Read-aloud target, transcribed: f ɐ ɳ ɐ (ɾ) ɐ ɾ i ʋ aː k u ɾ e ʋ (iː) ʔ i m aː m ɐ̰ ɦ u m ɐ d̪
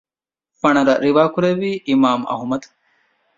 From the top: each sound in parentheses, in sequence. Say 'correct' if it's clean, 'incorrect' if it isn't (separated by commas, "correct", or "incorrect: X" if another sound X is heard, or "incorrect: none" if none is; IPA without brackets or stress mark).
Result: correct, correct